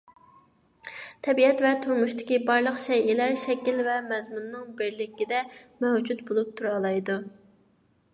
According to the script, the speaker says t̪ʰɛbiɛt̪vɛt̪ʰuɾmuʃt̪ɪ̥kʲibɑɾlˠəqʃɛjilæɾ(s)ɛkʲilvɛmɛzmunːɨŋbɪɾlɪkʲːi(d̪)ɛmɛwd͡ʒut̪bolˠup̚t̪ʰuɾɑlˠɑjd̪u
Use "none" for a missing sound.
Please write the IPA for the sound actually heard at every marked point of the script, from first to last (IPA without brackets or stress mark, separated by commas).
ʃ, d̪